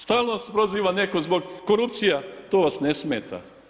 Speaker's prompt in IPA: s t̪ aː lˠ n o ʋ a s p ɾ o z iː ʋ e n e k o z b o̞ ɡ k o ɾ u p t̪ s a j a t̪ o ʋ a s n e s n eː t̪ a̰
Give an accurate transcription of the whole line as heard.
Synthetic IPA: s t̪ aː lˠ n o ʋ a s p ɾ o z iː ʋ a n e k o z b o̞ ɡ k o ɾ u p t̪ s i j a t̪ o ʋ a s n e s m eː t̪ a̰